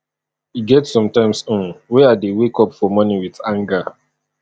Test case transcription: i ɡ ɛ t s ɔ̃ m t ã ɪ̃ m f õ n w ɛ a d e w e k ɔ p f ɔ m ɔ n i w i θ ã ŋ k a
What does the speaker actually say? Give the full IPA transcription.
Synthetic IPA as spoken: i ɡ ɛ t s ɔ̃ m t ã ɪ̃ m s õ n w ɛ a d e w e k ɔ p f ɔ m ɔ n i w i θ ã ŋ ɡ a